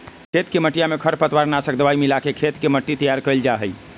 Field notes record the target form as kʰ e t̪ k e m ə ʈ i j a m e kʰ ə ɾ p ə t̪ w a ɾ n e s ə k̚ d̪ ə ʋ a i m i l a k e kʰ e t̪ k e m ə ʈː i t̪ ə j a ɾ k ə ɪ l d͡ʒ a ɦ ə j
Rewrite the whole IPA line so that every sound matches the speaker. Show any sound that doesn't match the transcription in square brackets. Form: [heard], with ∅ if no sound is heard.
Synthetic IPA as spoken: kʰ e t̪ k e m ə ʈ i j a m e kʰ ə ɾ p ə t̪ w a ɾ n [a] s ə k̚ d̪ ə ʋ a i m i l a k e kʰ e t̪ k e m ə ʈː i t̪ ə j a ɾ k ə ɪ l d͡ʒ a ɦ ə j